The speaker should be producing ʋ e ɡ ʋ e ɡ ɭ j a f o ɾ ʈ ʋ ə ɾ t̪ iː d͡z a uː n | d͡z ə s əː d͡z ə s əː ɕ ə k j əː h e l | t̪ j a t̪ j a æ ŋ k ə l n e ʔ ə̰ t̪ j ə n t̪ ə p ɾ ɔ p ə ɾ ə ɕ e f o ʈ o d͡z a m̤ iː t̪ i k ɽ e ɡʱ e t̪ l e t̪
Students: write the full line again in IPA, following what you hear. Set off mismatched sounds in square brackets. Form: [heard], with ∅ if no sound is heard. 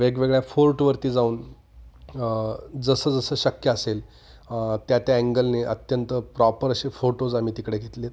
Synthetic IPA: ʋ e ɡ ʋ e ɡ ɭ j a f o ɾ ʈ ʋ ə ɾ t̪ iː d͡z a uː n | d͡z ə s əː d͡z ə s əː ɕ ə k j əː [s] e l | t̪ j a t̪ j a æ ŋ [ɡ] ə l n e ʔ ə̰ t̪ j ə n t̪ ə p ɾ ɔ p ə ɾ ə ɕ e f o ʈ o d͡z a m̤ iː t̪ i k ɽ e ɡʱ e t̪ l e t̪